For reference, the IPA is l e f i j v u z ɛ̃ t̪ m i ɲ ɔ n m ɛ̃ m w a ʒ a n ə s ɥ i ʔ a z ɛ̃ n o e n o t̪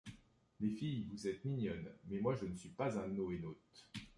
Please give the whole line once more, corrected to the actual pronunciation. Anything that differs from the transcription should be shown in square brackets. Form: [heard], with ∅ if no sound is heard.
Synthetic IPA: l e f i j v u z [ɛ] t̪ m i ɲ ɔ n m [ɛ] m w a ʒ [ə] n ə s ɥ i [p] a z ɛ̃ n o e n o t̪